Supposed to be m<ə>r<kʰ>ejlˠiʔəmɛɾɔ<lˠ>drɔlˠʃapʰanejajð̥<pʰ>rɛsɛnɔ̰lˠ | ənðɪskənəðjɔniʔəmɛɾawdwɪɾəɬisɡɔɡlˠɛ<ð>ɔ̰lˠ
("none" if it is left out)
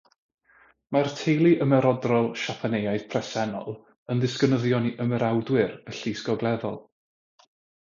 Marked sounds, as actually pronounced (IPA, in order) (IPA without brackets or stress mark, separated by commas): a, tʰ, none, pʰ, ð